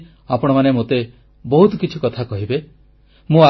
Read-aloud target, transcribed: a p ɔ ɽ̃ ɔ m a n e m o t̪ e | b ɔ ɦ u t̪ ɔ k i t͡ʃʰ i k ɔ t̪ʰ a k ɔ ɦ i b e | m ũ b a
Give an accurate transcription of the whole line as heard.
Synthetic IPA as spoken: a p ɔ ɽ̃ ɔ m a n e m o t̪ e | b ɔ ɦ u t̪ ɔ k i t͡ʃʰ i k ɔ t̪ʰ a k ɔ ɦ i b e | m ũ a